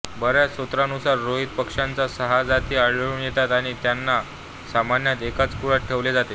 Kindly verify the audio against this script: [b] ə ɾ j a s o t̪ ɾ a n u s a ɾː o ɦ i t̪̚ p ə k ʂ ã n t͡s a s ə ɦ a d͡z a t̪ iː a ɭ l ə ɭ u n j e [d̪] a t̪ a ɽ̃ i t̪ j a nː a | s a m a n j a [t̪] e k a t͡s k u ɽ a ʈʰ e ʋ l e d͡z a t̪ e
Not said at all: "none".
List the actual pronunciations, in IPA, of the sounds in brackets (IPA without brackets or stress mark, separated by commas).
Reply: b, t̪, t̪